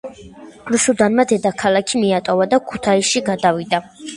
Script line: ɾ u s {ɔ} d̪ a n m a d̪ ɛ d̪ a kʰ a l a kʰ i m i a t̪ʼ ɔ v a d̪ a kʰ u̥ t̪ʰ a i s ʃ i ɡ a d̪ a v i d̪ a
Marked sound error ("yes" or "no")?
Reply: yes